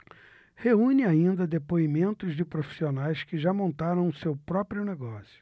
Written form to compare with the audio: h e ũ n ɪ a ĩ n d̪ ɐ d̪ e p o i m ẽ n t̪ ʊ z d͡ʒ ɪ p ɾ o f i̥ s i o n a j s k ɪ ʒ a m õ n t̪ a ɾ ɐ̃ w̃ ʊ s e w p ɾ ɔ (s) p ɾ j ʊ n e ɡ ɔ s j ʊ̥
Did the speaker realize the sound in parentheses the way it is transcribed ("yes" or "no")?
no